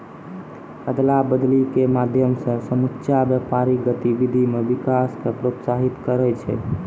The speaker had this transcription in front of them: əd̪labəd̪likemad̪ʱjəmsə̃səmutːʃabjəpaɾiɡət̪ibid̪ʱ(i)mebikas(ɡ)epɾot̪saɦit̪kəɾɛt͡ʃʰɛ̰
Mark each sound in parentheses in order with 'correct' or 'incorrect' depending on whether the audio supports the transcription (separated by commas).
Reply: correct, incorrect